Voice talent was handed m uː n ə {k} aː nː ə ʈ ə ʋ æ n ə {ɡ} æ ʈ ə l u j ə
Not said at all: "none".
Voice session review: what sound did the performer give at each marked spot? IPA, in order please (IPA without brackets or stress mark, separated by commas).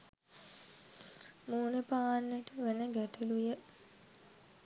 p, ɡ